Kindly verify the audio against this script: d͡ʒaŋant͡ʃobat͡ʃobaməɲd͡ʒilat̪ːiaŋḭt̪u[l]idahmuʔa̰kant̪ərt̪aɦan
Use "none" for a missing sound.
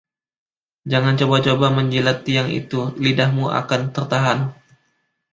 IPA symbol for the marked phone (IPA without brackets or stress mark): l